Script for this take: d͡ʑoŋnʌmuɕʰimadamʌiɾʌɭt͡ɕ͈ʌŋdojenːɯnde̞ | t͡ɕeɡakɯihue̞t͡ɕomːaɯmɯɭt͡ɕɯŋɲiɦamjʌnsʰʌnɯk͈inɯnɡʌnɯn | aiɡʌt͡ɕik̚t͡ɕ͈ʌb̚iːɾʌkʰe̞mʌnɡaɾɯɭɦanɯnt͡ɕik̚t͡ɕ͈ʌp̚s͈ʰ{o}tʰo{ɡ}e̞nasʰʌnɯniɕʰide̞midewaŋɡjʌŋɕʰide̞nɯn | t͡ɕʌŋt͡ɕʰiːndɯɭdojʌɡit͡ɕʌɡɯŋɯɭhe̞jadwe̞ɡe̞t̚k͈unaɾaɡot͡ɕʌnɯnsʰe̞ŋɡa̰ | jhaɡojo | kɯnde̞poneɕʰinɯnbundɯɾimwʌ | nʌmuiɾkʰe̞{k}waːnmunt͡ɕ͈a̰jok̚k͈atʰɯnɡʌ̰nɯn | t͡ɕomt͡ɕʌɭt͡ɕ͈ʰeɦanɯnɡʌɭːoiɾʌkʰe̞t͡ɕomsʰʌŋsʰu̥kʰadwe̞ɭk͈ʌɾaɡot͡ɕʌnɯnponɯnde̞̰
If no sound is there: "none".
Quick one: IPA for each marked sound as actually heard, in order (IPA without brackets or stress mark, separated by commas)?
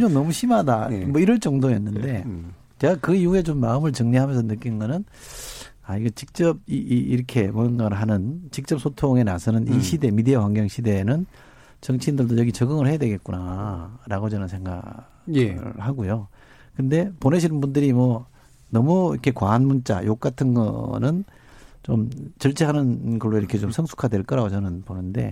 o, ŋ, k